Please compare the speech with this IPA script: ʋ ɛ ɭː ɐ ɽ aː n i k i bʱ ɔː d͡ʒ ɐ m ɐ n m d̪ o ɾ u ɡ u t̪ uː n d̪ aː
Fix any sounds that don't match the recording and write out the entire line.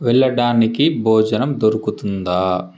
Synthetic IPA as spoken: ʋ ɛ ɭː ɐ ɽ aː n i k i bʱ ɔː d͡ʒ ɐ n ɐ m d̪ o ɾ u k u t̪ u n d̪ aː